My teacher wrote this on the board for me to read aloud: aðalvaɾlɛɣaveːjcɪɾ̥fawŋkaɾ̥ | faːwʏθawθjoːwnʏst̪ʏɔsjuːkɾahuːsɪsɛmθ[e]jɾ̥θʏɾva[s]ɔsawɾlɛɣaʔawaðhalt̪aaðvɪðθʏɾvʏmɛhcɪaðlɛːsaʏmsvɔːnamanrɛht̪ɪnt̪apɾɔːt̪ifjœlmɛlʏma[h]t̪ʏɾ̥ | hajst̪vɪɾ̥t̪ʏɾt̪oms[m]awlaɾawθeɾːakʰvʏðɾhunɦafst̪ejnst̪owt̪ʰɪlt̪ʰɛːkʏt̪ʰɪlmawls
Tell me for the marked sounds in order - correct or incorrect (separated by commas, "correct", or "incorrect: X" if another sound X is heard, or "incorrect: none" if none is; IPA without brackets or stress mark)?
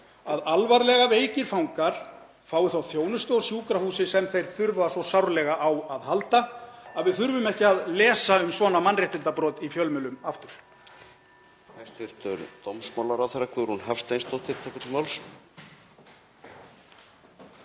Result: correct, correct, incorrect: f, correct